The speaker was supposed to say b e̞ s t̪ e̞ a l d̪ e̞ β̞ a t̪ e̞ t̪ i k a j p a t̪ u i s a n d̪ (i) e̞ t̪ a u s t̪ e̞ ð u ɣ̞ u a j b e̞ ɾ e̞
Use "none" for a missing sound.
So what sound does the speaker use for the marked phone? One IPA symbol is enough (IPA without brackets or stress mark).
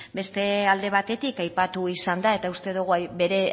a